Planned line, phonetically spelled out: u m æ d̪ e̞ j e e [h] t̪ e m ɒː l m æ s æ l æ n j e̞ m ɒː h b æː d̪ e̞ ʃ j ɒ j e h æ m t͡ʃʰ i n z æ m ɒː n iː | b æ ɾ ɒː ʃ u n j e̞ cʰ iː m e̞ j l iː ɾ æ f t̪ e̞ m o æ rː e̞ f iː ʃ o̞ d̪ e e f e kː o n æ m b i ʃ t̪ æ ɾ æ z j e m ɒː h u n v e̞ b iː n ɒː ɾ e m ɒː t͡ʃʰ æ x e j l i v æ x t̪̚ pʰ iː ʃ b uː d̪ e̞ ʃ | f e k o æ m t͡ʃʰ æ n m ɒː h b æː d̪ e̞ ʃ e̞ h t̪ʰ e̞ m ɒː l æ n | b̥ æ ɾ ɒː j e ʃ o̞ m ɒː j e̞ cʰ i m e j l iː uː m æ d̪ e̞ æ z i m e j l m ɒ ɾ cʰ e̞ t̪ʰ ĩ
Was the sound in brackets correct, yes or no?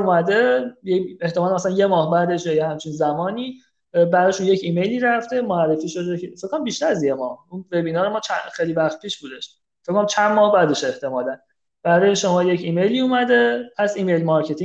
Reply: yes